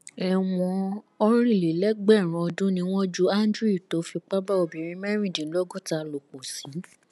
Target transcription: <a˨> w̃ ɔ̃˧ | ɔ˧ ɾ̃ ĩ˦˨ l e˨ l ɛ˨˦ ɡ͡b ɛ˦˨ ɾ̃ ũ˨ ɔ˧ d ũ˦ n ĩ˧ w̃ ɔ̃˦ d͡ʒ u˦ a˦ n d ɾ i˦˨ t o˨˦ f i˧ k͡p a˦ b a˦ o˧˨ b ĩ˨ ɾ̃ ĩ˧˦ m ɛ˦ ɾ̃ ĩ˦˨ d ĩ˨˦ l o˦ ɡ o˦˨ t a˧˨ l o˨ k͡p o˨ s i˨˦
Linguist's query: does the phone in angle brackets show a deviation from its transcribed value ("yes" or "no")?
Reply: yes